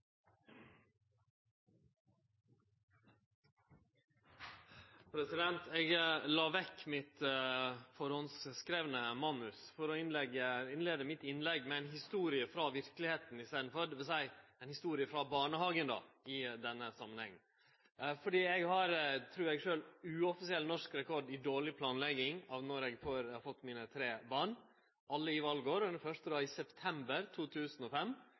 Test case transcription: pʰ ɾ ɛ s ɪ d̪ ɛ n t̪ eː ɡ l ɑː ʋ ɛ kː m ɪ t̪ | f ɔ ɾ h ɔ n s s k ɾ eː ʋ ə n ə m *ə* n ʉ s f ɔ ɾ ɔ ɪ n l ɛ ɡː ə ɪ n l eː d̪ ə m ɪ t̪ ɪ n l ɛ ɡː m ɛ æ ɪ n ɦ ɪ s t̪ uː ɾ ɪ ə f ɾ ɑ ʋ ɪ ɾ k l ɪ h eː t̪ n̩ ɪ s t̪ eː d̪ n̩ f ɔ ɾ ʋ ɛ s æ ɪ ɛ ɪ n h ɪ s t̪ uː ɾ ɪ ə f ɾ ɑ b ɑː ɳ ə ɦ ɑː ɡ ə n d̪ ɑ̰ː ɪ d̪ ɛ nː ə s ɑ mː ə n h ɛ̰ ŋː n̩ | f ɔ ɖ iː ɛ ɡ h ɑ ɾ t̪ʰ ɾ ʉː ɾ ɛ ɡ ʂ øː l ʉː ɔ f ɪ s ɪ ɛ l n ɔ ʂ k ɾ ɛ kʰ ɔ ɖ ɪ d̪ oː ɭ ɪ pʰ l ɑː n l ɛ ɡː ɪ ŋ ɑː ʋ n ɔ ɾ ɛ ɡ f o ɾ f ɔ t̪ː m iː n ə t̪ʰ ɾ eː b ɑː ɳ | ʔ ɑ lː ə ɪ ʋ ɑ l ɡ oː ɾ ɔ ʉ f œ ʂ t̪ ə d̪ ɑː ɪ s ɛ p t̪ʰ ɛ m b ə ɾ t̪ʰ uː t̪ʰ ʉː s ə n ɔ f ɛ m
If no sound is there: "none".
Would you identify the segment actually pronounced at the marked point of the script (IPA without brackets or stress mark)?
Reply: ɑ